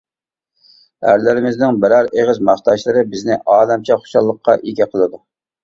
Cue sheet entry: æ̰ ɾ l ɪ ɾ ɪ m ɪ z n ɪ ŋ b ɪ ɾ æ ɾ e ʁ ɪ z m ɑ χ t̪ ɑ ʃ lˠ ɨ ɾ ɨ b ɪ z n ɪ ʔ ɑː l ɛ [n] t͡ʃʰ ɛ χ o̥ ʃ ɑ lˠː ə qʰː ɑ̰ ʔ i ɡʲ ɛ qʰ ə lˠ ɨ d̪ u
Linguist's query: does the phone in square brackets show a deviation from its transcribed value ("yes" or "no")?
yes